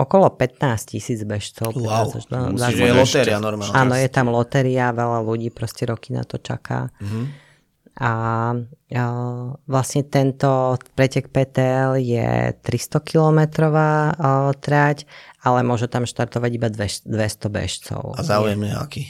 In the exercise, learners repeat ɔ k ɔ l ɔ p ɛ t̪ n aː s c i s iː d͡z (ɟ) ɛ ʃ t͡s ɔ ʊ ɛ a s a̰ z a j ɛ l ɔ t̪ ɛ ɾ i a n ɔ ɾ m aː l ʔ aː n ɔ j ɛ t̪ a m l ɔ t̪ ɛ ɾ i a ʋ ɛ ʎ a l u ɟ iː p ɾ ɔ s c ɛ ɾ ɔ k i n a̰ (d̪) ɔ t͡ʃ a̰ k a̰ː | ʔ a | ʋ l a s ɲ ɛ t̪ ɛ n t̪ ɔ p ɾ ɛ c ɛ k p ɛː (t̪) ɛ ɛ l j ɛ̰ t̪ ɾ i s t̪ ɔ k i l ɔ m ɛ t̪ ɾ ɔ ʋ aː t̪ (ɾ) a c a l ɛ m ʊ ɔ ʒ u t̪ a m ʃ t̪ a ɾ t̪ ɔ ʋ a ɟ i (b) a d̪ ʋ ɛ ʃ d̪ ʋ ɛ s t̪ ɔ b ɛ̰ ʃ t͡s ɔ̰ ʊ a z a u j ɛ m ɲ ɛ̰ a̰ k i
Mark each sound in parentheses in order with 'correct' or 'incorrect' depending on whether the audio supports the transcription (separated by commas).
incorrect, incorrect, correct, correct, correct